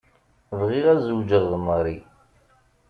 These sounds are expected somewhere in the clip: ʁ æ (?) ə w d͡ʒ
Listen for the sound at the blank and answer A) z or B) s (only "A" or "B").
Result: A